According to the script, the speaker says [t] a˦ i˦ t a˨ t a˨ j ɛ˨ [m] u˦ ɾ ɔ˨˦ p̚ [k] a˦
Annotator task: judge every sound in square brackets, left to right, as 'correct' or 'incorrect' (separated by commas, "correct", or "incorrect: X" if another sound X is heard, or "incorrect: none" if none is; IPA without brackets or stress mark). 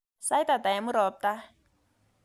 incorrect: s, correct, incorrect: t